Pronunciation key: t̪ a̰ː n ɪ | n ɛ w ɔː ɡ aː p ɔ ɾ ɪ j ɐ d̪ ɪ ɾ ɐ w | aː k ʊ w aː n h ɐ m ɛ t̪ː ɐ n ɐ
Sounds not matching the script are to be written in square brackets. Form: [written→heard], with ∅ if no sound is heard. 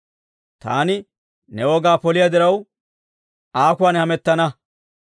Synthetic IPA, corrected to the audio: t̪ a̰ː n ɪ | n ɛ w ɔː ɡ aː p ɔ [ɾ→l] ɪ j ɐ d̪ ɪ ɾ ɐ w | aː k ʊ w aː n h ɐ m ɛ t̪ː ɐ n ɐ